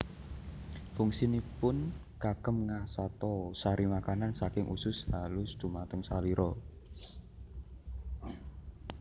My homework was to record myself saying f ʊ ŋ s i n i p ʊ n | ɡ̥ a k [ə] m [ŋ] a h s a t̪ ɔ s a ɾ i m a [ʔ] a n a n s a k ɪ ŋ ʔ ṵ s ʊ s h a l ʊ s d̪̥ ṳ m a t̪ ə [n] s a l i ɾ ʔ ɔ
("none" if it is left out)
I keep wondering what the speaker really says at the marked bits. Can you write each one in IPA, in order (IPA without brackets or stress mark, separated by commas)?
ə, ŋ, k, ŋ